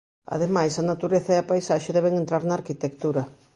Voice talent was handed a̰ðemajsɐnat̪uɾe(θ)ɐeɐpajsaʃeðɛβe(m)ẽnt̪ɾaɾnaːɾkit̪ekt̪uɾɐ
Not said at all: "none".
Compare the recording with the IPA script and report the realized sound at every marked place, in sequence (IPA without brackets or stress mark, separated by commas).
θ, ŋ